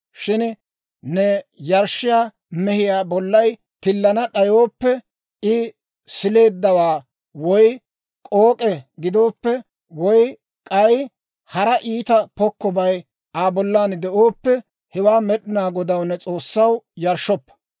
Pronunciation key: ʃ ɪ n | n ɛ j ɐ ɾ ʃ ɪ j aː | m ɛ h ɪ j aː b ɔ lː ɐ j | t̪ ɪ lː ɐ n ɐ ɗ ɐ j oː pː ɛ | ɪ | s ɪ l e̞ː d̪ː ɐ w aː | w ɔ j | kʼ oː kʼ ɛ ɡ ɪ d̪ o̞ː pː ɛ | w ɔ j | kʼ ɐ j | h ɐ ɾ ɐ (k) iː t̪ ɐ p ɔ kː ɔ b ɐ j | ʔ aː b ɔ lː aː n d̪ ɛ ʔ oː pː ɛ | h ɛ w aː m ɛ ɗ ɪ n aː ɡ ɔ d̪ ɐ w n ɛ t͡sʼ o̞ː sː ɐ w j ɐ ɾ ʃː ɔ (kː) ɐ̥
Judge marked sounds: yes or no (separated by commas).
no, no